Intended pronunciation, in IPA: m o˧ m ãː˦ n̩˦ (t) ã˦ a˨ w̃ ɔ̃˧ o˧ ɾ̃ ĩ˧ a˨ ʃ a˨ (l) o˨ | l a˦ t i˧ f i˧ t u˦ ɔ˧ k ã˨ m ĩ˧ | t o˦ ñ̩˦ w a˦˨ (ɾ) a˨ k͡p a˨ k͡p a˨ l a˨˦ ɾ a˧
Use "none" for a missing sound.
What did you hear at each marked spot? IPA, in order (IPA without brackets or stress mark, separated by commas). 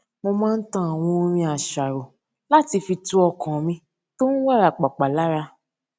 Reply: t, ɾ, ɾ